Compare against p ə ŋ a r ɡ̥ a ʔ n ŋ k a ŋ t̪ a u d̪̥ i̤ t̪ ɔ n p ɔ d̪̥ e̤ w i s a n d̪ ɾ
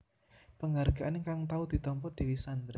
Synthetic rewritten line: p ə ŋ a r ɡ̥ a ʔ n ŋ k a ŋ t̪ a u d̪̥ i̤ t̪ ɔ m p ɔ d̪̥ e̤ w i s a n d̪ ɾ